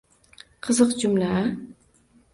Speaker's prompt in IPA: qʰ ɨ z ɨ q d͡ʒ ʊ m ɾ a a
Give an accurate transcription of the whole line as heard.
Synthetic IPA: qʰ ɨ z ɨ q d͡ʒ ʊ m l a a